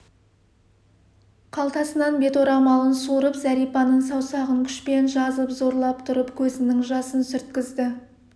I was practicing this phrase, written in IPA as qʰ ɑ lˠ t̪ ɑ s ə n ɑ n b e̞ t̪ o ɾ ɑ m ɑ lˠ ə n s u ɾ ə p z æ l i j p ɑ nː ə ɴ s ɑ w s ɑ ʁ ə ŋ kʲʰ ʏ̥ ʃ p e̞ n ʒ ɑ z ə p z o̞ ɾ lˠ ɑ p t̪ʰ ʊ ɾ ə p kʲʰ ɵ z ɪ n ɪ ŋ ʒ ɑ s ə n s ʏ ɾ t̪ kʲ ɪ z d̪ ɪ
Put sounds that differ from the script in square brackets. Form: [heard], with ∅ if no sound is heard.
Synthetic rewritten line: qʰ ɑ lˠ t̪ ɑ s ə n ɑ n b e̞ t̪ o ɾ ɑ m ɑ lˠ ə n s u ɾ ə p z æ [ɾ] i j p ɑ [n] ə ɴ s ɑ w s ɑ ʁ ə ŋ kʲʰ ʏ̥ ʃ p e̞ n ʒ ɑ z ə p z o̞ ɾ lˠ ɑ p t̪ʰ ʊ ɾ ə p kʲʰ ɵ z ɪ n ɪ ŋ ʒ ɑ s ə n s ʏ ɾ t̪ kʲ ɪ z d̪ ɪ